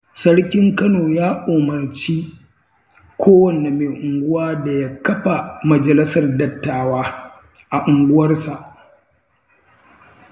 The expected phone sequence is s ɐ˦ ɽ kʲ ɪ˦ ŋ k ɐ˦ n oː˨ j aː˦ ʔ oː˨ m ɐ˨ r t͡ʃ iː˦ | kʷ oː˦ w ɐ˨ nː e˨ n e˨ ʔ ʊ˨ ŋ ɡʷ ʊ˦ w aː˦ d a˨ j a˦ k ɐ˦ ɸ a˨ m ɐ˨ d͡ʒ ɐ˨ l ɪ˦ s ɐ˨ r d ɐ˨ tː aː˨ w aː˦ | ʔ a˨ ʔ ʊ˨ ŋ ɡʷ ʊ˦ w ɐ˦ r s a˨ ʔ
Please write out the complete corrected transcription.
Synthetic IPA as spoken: s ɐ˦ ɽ kʲ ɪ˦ ŋ k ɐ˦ n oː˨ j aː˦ ʔ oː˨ m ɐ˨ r t͡ʃ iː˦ | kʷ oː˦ w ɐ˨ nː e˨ m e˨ ʔ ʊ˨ ŋ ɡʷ ʊ˦ w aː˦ d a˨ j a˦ k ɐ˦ ɸ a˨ m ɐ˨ d͡ʒ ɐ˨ l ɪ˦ s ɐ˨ r d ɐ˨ tː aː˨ w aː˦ | ʔ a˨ ʔ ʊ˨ ŋ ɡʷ ʊ˦ w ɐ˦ r s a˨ ʔ